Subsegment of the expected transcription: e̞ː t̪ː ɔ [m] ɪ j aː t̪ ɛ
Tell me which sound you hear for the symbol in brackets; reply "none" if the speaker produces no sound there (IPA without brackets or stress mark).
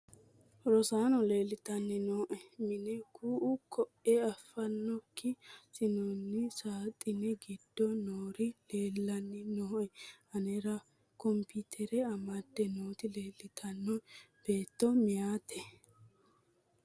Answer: m